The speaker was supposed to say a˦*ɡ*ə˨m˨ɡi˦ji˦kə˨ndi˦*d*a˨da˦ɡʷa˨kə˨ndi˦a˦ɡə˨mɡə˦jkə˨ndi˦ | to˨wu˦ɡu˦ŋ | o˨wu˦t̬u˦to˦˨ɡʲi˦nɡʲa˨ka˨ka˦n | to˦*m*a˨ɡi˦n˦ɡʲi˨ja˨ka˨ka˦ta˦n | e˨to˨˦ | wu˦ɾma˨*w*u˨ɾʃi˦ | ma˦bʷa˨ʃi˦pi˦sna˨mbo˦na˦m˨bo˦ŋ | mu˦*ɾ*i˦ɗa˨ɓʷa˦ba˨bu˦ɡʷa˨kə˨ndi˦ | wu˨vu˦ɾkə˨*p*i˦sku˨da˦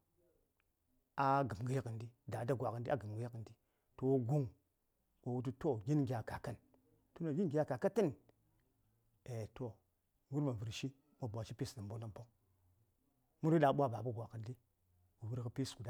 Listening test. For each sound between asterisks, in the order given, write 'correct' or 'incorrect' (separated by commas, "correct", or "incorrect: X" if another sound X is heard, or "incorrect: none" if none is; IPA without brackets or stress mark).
correct, correct, incorrect: n, incorrect: v, correct, correct